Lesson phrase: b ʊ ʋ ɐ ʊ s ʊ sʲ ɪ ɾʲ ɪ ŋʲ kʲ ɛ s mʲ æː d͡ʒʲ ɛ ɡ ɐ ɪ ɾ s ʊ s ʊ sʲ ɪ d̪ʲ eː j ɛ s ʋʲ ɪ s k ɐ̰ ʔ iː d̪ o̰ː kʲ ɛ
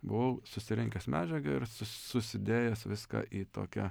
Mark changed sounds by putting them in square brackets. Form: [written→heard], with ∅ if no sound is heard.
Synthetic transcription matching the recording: b ʊ ʋ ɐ ʊ s ʊ sʲ ɪ ɾʲ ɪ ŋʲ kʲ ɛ s mʲ æː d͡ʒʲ ɛ ɡ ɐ ɪ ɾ s ʊ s ʊ sʲ ɪ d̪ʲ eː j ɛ s ʋʲ ɪ s k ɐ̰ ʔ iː [d̪→t̪] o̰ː kʲ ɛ